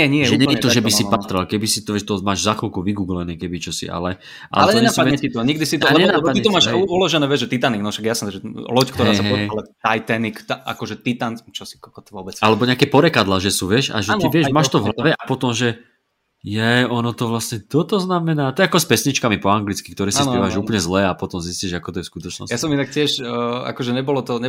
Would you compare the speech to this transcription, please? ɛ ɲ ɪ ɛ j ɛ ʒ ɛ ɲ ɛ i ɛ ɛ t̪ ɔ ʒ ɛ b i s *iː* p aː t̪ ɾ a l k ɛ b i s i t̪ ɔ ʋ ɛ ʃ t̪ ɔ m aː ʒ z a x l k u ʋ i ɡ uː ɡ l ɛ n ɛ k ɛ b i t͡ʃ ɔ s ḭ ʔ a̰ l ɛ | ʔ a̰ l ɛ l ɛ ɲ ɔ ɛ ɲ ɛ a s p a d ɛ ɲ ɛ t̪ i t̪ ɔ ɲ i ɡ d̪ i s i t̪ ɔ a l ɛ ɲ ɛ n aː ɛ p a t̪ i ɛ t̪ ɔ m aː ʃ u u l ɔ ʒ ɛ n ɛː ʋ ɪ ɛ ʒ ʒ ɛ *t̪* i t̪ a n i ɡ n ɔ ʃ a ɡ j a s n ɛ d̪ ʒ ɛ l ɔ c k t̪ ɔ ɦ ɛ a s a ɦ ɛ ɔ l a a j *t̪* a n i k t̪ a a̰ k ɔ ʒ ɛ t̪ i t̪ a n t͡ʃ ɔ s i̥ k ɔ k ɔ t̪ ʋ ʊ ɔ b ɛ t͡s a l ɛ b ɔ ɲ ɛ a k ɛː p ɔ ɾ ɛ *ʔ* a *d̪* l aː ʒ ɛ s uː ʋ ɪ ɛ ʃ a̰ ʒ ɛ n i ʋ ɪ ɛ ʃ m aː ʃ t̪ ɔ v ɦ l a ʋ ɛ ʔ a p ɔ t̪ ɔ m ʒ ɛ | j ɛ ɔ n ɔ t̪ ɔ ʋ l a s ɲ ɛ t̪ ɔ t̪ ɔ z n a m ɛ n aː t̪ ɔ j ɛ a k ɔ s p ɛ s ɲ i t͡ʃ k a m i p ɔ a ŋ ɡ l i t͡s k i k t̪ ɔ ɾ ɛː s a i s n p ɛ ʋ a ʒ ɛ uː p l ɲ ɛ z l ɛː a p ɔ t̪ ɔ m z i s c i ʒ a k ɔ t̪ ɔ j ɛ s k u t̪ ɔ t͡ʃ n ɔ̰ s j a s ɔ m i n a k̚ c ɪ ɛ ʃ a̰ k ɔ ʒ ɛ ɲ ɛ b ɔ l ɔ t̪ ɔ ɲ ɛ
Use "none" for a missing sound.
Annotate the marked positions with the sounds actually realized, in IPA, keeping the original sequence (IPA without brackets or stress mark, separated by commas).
i, t̪, t̪, k, d̪